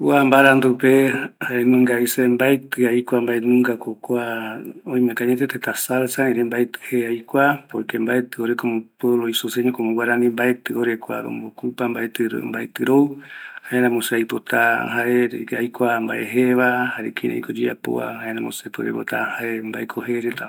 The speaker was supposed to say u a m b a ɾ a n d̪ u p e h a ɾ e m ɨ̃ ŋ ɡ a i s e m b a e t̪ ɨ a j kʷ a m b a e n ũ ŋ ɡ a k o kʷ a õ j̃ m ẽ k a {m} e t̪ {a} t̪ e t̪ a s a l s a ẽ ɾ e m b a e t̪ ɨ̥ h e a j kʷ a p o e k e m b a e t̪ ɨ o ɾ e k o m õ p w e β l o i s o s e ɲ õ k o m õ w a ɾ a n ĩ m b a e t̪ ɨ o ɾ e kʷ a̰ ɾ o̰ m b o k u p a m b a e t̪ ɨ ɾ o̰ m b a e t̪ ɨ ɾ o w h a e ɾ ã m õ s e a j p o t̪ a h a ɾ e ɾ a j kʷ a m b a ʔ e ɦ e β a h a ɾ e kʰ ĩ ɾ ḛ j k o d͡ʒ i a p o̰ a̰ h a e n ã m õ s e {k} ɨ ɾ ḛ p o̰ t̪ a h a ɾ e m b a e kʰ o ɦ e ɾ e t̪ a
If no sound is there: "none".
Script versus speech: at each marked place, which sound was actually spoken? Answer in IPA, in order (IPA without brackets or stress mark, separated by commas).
ɲ, e, p